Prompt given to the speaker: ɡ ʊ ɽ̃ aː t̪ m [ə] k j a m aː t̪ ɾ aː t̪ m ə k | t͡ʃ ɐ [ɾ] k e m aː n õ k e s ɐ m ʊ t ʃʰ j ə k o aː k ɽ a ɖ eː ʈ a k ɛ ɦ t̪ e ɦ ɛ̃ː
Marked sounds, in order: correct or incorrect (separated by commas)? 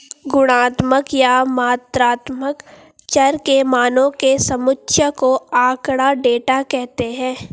correct, correct